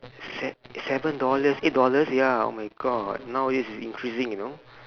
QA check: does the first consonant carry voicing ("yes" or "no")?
no